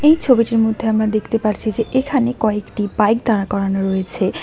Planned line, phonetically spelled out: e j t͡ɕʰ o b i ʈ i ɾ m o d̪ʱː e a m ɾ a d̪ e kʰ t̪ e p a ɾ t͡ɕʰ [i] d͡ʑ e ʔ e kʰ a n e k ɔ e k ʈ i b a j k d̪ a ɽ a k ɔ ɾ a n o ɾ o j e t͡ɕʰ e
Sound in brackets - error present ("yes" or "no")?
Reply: no